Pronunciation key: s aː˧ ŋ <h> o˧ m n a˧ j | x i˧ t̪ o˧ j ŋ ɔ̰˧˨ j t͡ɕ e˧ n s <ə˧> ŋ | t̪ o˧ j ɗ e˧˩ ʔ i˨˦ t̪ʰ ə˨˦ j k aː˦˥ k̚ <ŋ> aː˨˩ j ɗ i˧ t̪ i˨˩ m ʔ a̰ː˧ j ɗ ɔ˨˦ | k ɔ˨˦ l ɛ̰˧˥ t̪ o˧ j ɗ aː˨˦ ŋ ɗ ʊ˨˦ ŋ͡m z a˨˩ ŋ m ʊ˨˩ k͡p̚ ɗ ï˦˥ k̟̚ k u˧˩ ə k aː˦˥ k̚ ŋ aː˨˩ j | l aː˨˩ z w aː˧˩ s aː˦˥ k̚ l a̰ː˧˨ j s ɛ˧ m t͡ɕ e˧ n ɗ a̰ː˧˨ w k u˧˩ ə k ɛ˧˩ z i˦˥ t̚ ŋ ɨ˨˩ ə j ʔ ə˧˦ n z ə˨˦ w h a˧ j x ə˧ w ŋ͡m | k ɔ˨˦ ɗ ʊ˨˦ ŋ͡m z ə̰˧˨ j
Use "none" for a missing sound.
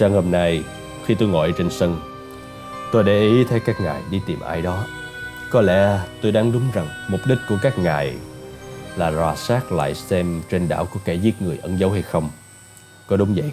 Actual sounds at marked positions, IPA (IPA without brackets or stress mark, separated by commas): h, ə˧, ŋ